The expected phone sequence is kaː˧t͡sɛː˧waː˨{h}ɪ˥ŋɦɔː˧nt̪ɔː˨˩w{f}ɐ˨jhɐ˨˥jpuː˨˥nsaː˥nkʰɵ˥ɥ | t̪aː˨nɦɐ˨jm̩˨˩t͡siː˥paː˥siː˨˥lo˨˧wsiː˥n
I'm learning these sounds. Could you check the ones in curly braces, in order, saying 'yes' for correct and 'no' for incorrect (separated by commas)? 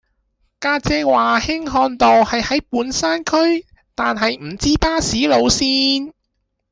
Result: yes, no